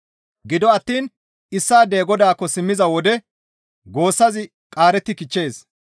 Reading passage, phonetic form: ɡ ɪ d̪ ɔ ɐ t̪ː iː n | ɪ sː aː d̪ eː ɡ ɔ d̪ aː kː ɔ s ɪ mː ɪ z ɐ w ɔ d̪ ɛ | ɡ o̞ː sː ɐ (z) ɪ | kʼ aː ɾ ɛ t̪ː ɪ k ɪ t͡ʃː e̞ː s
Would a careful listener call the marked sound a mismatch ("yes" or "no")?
no